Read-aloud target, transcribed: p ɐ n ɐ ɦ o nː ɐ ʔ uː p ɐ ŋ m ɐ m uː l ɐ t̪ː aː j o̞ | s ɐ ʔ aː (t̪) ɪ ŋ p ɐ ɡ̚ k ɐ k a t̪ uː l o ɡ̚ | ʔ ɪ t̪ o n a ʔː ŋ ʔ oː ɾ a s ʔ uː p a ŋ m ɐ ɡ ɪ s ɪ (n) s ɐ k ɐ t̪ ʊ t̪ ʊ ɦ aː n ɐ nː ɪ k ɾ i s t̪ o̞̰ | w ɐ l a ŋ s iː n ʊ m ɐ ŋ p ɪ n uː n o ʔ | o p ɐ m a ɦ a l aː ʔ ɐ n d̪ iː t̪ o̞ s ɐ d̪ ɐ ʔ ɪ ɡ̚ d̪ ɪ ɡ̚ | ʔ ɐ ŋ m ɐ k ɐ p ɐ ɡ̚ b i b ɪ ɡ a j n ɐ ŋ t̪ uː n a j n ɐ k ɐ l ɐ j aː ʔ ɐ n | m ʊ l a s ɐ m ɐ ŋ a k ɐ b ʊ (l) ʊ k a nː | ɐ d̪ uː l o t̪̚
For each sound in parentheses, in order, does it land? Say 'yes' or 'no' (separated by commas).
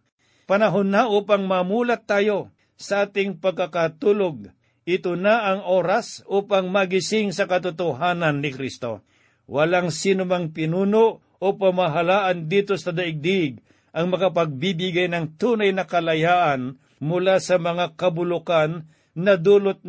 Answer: yes, no, yes